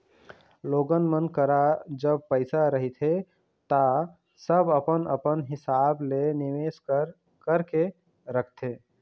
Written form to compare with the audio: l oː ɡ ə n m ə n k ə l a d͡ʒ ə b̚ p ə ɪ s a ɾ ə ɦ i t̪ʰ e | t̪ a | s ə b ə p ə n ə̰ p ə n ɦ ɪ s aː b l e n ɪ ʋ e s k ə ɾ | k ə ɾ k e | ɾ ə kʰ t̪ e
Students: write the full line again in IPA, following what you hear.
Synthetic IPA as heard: l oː ɡ ə n m ə n k ə ɾ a d͡ʒ ə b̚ p ə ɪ s a ɾ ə ɦ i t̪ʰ e | t̪ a | s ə b ə p ə n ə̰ p ə n ɦ ɪ s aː b l e n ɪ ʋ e s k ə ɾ | k ə ɾ k e | ɾ ə kʰ t̪ e